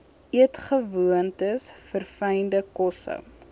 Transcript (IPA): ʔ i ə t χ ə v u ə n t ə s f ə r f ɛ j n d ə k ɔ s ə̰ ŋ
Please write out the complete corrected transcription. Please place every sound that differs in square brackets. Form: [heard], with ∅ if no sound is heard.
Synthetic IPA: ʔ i ə t χ ə v u ə n t ə s f ə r f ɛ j n d ə k ɔ s ə̰ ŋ